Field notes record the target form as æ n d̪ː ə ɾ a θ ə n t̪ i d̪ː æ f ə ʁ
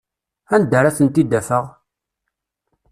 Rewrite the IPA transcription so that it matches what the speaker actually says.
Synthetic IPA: æ n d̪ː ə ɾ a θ ə n t̪ i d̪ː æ f ə ʁ